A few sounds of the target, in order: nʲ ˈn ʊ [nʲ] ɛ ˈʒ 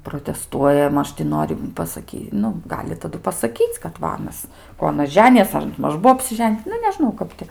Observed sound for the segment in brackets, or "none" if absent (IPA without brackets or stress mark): nʲ